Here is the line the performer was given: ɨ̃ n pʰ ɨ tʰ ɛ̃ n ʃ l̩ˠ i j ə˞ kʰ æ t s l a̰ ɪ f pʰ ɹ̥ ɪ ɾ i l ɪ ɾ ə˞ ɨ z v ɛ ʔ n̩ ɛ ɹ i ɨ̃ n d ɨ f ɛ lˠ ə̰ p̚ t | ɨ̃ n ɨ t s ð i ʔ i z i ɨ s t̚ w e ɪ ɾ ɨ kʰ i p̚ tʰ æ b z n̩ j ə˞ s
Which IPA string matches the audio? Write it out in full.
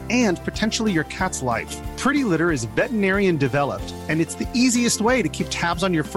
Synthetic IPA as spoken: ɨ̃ n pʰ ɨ tʰ ɛ̃ n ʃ l̩ˠ i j ə˞ kʰ æ t s l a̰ ɪ f pʰ ɹ̥ ɪ ɾ i l ɪ ɾ ə˞ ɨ z v ɛ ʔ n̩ ɛ ɹ i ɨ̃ n d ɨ v ɛ lˠ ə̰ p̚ t | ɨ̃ n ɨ t s ð i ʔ i z i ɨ s t̚ w e ɪ ɾ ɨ kʰ i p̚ tʰ æ b z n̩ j ə˞ f